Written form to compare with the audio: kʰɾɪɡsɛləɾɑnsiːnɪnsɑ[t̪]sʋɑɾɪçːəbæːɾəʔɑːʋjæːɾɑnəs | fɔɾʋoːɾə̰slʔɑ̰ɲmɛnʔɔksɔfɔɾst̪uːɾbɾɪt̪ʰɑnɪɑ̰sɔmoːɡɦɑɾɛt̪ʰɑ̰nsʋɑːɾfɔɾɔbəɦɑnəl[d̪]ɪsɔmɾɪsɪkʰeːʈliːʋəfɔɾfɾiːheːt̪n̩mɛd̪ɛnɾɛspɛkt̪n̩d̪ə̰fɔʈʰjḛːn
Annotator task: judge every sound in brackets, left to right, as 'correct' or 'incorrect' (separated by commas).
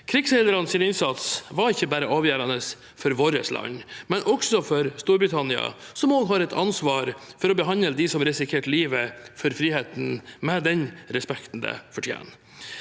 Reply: correct, correct